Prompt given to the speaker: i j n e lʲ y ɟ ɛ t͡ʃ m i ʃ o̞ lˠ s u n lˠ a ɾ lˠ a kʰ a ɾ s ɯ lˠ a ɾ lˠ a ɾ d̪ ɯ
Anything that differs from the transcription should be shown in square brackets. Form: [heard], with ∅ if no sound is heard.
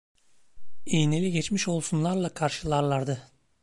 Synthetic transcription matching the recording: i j n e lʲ [i] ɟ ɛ t͡ʃ m i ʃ o̞ lˠ s u n lˠ a ɾ lˠ a kʰ a ɾ [ʃ] ɯ lˠ a ɾ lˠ a ɾ d̪ ɯ